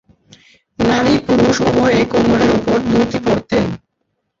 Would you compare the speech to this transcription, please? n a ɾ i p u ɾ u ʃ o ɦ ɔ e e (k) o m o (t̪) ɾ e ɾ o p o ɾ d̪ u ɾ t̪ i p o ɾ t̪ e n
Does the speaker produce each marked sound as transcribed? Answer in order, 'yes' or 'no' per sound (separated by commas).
yes, no